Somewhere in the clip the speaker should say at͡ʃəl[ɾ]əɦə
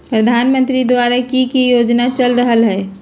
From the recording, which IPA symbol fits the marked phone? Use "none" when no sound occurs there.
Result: ɾ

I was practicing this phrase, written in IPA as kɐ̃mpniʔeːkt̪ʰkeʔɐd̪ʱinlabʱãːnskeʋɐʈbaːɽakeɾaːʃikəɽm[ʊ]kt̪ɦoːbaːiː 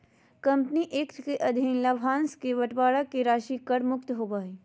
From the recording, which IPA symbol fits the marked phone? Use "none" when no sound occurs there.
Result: ʊ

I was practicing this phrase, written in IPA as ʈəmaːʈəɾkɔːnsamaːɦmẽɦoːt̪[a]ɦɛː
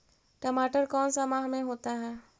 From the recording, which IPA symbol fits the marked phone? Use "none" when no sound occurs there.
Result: a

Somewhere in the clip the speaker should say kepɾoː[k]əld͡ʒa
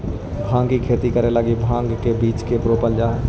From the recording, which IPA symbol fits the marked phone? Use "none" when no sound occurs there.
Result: p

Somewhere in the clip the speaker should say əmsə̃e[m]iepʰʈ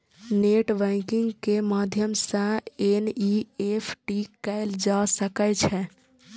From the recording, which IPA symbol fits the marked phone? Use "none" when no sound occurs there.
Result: n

